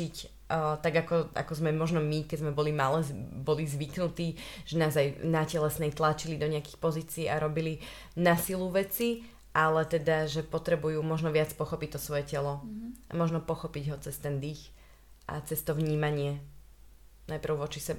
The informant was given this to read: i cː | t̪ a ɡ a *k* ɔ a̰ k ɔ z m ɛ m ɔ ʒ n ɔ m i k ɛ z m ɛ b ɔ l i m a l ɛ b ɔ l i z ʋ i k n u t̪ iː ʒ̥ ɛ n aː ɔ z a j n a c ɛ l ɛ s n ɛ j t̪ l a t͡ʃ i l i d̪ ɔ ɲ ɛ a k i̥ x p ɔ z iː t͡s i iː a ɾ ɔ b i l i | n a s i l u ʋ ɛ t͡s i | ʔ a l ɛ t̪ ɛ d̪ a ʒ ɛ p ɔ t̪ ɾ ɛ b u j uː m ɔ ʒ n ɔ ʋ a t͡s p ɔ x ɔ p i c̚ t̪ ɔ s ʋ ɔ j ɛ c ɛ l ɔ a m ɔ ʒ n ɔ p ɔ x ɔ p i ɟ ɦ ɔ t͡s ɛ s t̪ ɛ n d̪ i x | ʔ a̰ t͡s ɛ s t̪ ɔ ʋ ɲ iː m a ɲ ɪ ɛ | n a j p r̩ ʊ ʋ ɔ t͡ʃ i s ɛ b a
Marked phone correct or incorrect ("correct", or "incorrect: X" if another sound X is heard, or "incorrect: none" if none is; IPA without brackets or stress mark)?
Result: correct